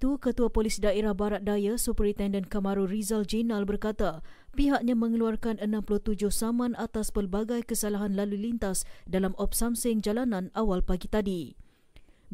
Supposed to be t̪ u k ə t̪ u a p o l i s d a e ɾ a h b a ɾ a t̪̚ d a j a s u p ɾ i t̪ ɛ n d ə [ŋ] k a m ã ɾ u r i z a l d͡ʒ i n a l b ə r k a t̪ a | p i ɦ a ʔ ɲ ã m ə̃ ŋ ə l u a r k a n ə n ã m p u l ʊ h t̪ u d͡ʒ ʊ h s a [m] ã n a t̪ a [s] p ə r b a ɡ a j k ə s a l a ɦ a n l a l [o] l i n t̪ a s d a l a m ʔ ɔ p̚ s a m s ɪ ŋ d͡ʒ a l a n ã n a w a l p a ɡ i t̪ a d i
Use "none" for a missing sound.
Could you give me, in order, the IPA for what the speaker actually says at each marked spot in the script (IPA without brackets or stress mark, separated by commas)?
n, m, s, u